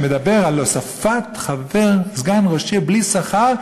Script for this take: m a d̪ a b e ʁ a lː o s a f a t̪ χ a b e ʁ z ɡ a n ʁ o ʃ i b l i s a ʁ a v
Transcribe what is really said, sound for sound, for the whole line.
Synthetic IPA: m e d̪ a b e ʁ a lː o s a f a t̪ χ a v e ʁ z ɡ a n ʁ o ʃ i b l i s a χ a ʁ